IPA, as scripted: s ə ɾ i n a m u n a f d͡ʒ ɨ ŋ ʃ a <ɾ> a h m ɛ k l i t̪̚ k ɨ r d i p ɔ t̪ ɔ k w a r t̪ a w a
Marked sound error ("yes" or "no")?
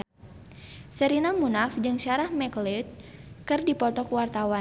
no